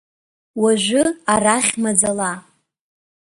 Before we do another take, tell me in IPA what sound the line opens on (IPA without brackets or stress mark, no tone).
w